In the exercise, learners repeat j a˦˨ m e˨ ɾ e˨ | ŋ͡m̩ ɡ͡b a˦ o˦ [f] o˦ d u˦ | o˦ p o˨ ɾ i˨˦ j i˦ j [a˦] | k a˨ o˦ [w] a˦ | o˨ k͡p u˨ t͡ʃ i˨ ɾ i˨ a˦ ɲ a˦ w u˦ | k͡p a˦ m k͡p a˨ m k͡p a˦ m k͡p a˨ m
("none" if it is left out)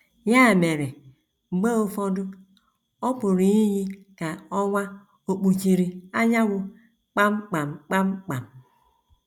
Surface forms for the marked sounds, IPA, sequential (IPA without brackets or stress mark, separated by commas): f, i˦, w